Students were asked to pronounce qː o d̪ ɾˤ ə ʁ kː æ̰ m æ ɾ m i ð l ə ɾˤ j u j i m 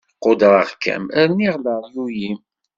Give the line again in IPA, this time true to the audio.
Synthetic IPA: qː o d̪ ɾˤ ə ʁ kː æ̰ m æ ɾ n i ʁ l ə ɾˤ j u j i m